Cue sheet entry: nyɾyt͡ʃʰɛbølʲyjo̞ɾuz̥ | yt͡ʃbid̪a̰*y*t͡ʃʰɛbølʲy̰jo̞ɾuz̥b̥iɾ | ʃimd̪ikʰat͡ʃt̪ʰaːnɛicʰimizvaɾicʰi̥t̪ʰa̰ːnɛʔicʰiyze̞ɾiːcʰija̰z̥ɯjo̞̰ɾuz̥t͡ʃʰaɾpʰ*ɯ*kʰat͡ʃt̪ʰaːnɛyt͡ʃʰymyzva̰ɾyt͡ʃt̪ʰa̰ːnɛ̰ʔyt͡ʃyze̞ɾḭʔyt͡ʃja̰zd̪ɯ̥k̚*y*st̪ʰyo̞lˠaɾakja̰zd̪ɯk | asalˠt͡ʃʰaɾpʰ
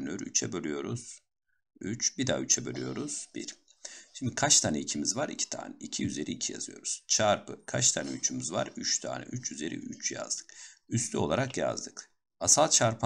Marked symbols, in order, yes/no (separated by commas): yes, yes, yes